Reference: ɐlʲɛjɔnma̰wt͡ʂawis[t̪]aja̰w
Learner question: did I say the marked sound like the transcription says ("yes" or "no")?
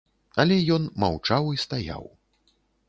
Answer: yes